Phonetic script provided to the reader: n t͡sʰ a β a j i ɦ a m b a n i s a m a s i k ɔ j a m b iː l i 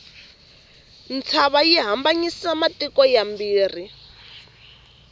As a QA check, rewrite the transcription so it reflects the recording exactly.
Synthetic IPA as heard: n t͡sʰ a β a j i ɦ a m b a ɲ i s a m a t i k ɔ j a m b iː r i